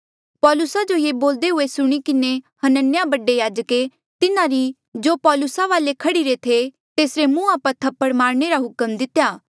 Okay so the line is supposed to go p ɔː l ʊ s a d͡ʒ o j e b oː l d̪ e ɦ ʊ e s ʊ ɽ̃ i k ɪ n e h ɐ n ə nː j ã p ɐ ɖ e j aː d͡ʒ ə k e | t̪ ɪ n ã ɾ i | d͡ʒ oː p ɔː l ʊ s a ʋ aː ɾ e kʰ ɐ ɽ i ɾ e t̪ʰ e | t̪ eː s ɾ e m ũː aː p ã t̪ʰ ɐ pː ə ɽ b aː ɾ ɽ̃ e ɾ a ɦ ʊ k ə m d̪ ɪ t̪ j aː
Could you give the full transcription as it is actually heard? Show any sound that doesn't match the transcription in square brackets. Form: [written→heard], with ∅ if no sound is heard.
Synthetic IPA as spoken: p ɔː l ʊ s a d͡ʒ o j e b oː l d̪ e ɦ ʊ e s ʊ ɽ̃ i k ɪ n e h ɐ n ə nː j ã [p→b] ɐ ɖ e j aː d͡ʒ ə k e | t̪ ɪ n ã ɾ i | d͡ʒ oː p ɔː l ʊ s a ʋ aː [ɾ→l] e kʰ ɐ ɽ i ɾ e t̪ʰ e | t̪ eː s ɾ e m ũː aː p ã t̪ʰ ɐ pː ə ɽ [b→m] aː ɾ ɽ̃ e ɾ a ɦ ʊ k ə m d̪ ɪ t̪ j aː